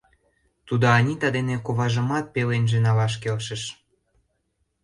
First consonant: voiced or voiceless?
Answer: voiceless